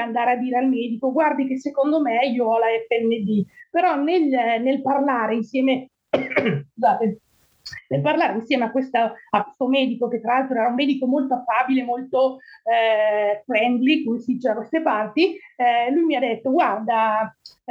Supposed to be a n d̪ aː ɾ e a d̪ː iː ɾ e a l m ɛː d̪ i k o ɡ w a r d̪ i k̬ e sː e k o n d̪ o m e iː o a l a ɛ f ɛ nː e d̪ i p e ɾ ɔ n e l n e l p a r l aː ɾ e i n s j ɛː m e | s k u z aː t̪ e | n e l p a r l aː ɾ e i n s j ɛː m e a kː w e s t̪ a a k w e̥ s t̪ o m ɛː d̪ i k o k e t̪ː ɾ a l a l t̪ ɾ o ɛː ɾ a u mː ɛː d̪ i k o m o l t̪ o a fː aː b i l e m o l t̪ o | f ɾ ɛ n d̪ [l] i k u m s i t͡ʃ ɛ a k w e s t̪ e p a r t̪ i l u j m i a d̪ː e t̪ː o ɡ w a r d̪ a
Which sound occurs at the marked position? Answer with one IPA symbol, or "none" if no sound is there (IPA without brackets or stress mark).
l